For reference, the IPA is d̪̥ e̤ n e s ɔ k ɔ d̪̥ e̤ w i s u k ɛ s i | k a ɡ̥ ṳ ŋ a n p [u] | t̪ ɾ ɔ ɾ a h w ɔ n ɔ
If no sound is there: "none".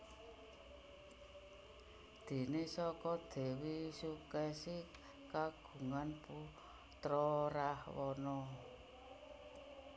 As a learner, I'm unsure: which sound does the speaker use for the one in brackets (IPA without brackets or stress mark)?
u